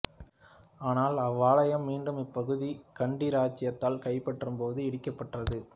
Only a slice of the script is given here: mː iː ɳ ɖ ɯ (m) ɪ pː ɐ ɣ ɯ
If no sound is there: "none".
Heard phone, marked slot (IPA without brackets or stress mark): m